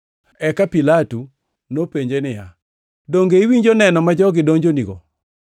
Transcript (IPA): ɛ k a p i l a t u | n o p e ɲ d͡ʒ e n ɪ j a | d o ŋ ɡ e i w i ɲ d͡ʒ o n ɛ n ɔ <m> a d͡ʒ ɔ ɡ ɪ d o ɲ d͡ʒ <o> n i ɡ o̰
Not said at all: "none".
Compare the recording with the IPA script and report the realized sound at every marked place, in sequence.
m, o

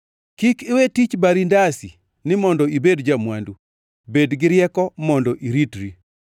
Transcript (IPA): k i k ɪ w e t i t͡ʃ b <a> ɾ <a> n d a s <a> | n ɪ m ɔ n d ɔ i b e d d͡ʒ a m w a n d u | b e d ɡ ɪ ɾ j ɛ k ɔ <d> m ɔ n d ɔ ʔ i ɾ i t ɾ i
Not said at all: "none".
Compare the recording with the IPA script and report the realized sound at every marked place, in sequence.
a, i, i, none

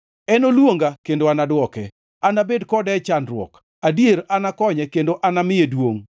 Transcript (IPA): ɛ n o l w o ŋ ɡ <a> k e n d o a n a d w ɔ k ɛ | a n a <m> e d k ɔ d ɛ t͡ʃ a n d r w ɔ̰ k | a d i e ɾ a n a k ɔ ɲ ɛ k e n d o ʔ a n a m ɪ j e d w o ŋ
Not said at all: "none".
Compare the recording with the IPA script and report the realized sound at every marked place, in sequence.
a, b

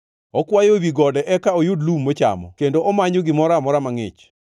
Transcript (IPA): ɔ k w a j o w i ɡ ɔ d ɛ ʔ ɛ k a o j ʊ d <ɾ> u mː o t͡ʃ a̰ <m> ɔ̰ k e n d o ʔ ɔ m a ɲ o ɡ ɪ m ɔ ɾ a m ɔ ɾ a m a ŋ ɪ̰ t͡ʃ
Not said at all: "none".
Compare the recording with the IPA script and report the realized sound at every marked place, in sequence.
l, m

